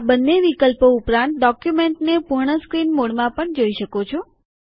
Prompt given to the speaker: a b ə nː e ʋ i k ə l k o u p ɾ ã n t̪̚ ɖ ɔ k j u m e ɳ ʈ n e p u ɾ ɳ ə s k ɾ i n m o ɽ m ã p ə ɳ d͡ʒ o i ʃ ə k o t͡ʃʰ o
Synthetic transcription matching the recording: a b ə nː e ʋ i k ə l p o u p ɾ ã n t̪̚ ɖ ɔ k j u m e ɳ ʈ n e p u ɾ ɳ ə s k ɾ i n m o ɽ m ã p ə ɳ d͡ʒ o i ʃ ə k o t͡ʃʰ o